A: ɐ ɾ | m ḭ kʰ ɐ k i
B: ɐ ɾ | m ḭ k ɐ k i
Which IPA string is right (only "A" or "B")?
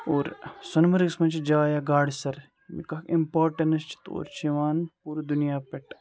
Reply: B